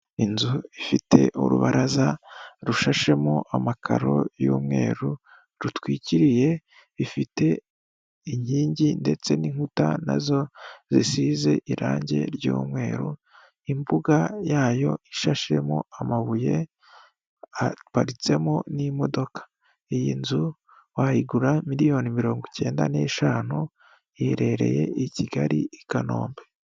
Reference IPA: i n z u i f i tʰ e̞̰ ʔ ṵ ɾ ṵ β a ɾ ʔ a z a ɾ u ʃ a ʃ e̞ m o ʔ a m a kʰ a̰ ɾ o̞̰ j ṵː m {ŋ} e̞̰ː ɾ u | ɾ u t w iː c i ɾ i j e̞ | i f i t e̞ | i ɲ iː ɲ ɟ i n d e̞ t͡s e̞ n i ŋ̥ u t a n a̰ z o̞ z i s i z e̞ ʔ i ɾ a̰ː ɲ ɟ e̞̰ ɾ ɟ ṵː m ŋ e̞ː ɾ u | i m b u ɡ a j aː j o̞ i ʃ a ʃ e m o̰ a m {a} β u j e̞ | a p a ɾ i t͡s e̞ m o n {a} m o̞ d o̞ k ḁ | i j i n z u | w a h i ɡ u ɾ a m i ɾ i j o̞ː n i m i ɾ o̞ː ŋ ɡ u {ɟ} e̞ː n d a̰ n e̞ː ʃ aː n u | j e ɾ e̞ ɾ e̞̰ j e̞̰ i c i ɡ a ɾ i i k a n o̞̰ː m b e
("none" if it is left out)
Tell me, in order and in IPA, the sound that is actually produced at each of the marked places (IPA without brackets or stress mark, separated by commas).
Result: ŋ, a, i, c